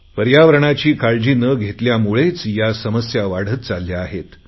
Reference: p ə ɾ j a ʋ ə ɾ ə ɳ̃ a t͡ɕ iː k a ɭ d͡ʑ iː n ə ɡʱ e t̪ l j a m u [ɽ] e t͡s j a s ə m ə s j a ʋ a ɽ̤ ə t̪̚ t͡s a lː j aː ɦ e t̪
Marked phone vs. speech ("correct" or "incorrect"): incorrect